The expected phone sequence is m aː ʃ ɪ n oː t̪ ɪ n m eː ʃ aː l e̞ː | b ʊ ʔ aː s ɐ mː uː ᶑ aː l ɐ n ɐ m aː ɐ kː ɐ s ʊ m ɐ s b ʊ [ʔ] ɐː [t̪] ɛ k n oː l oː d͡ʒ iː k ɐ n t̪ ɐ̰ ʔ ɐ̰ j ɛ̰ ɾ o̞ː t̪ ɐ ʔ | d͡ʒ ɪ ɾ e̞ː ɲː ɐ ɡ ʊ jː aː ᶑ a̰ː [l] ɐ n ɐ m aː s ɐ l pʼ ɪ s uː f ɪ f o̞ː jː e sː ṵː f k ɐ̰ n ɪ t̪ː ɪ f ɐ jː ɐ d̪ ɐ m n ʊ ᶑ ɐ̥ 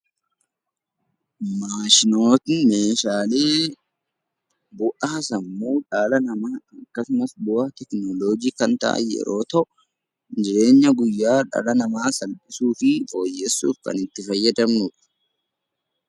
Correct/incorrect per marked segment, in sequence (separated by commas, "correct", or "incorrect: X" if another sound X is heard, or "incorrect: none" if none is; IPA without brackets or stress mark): correct, correct, correct